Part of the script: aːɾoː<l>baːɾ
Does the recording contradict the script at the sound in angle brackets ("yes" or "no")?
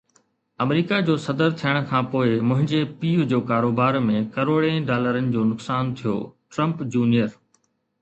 yes